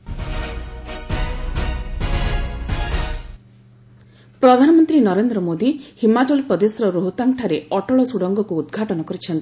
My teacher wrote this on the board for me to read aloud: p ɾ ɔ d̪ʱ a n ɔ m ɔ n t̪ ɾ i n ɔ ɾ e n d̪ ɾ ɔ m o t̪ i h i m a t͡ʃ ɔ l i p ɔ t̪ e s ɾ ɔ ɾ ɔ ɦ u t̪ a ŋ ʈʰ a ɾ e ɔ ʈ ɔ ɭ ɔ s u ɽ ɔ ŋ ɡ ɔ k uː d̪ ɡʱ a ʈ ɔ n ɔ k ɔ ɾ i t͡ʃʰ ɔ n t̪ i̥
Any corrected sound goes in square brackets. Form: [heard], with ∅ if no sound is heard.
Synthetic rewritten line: p ɾ ɔ d̪ʱ a n ɔ m ɔ n t̪ ɾ i n ɔ ɾ e n d̪ ɾ ɔ m o [d̪] i h i m a t͡ʃ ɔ l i p ɔ [d̪] e s ɾ ɔ ɾ [o] ɦ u t̪ a ŋ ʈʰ a ɾ e ɔ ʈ ɔ ɭ ɔ s u ɽ ɔ ŋ ɡ ɔ k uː d̪ ɡʱ a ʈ ɔ n ɔ k ɔ ɾ i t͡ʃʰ ɔ n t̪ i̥